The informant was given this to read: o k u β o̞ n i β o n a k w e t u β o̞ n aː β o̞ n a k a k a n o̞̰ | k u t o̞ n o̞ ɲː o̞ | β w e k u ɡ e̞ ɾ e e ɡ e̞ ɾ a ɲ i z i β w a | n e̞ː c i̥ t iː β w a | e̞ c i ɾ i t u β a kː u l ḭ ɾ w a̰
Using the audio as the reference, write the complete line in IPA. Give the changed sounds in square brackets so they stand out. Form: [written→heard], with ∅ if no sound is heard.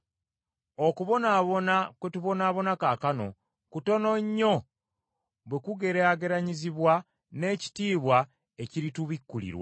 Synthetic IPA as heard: o k u β o̞ n [i→a] β o n a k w e t u β o̞ n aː β o̞ n a k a k a n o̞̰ | k u t o̞ n o̞ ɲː o̞ | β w e k u ɡ e̞ ɾ e [e→a] ɡ e̞ ɾ a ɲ i z i β w a | n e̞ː c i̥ t iː β w a | e̞ c i ɾ i t u β [a→i] kː u l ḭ ɾ w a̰